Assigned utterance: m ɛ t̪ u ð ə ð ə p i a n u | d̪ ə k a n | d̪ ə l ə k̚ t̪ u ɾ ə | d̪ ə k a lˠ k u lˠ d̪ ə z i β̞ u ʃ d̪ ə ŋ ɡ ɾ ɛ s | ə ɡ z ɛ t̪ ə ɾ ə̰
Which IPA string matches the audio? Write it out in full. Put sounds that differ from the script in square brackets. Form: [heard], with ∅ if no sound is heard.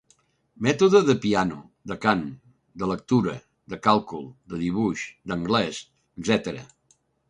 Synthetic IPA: m ɛ t̪ u ð ə ð ə p i a n u | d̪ ə k a n | d̪ ə l ə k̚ t̪ u ɾ ə | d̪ ə k a lˠ k u lˠ d̪ ə [ð] i β̞ u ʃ d̪ ə ŋ ɡ [l] ɛ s | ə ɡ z ɛ t̪ ə ɾ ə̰